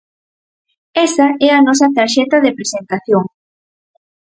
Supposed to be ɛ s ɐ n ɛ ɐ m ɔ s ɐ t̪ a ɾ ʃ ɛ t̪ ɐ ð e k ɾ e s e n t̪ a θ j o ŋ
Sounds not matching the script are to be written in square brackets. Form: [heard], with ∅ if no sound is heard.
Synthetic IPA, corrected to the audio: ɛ s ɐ [∅] ɛ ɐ [n] ɔ s ɐ t̪ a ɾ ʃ ɛ t̪ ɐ ð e [p] ɾ e s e n t̪ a θ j o ŋ